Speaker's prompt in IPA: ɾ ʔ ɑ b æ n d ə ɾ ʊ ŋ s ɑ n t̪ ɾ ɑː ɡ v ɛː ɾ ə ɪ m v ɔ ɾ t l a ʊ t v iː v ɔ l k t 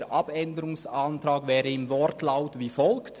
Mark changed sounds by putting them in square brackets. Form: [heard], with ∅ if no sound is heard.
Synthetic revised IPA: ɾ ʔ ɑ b [ɛ] n d ə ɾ ʊ ŋ s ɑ n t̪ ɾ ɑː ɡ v ɛː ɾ ə ɪ m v ɔ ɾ t l a ʊ t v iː [f] ɔ l k t